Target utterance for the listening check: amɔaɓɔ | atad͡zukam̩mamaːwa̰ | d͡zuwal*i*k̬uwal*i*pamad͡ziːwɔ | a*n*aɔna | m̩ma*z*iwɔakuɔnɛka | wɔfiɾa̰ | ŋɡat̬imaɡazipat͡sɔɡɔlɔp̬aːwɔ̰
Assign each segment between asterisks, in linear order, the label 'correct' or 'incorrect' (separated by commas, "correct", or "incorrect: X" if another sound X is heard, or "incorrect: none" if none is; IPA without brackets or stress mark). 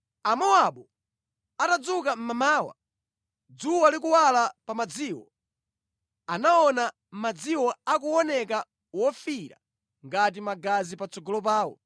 correct, incorrect: a, correct, incorrect: d͡z